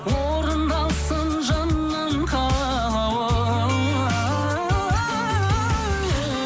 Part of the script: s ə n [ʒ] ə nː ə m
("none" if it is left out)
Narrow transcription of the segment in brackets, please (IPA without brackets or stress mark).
ʒ